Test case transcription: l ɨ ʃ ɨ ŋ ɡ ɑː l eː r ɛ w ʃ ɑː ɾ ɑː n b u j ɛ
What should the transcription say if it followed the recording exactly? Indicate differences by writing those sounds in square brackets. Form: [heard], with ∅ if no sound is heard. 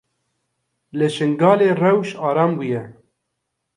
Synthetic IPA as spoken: l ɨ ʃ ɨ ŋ ɡ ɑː l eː r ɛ w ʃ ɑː ɾ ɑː [m] b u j ɛ

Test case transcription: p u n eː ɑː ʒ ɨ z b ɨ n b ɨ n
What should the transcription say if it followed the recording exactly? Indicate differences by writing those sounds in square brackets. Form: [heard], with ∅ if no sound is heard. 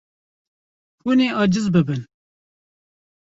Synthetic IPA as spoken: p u n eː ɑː [d͡ʒ] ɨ z b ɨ [∅] b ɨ n

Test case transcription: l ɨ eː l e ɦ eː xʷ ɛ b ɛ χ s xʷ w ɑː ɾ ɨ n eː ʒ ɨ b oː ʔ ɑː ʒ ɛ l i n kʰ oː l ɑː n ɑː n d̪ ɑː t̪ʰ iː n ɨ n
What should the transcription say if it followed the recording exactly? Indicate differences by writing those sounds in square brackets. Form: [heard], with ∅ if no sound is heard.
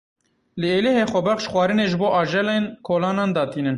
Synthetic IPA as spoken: l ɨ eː l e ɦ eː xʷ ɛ b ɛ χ [ʃ] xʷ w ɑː ɾ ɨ n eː ʒ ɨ b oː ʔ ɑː ʒ ɛ l [e] n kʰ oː l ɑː n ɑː n d̪ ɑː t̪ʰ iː n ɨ n

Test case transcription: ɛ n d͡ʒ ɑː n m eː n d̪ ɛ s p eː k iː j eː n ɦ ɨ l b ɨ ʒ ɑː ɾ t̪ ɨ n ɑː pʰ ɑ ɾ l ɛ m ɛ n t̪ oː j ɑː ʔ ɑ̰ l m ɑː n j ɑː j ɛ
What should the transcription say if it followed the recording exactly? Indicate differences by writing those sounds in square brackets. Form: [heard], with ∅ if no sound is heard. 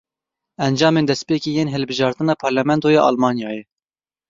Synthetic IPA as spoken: ɛ n d͡ʒ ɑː [∅] m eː n d̪ ɛ s p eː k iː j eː n ɦ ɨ l b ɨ ʒ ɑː ɾ t̪ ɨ n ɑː pʰ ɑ ɾ l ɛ m ɛ n t̪ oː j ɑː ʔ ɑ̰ l m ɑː n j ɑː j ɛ

